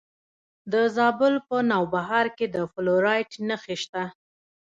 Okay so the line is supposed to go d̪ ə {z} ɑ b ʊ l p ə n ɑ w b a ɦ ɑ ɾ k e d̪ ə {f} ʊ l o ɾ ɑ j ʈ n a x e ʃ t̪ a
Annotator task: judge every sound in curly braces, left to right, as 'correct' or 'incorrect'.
correct, correct

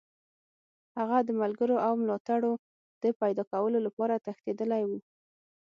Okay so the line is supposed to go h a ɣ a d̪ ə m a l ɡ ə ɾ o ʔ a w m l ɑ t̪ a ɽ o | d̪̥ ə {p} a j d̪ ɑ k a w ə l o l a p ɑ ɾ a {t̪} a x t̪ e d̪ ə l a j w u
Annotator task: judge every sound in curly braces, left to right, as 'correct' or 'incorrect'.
correct, correct

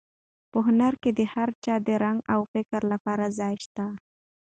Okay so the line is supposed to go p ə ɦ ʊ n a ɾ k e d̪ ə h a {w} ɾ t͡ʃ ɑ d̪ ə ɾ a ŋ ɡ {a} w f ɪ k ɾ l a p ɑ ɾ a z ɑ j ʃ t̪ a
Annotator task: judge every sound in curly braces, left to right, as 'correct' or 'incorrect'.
incorrect, correct

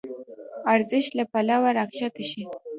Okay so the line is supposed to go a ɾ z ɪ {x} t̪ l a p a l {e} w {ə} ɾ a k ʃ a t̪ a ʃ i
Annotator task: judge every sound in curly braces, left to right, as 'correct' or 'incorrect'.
incorrect, incorrect, incorrect

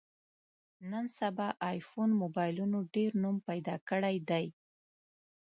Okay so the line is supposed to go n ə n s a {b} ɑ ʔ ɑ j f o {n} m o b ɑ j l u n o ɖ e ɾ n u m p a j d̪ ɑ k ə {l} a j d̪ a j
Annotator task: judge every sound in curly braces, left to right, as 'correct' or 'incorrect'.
correct, correct, incorrect

